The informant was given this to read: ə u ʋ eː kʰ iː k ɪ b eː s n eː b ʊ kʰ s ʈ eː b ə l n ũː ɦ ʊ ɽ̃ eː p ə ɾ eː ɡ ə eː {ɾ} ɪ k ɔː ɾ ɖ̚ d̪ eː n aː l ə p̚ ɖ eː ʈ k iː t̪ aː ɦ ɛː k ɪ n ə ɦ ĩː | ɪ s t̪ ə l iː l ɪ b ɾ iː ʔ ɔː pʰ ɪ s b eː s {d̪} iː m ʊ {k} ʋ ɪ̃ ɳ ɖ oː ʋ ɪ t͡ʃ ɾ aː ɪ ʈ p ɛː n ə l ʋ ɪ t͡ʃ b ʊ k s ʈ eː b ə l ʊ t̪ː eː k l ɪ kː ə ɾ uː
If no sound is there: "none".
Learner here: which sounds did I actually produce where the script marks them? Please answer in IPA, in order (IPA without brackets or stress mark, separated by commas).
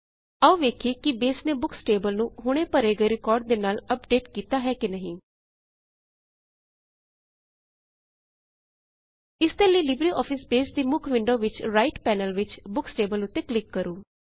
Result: ɾ, d̪, kʰ